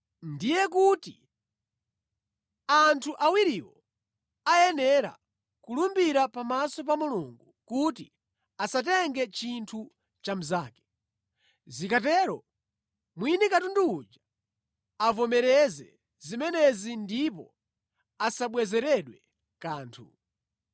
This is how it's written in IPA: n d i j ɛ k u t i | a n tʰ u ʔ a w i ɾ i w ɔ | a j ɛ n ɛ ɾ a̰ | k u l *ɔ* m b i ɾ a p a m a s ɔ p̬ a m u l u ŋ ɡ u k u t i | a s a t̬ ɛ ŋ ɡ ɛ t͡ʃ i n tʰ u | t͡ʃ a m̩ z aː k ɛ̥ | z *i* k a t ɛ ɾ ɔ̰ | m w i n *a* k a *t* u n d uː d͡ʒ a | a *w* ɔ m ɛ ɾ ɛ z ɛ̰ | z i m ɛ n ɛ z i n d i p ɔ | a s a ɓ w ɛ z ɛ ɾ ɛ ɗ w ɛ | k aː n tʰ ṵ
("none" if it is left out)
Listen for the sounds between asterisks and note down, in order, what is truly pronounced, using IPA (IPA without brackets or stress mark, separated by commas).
u, i, i, t, v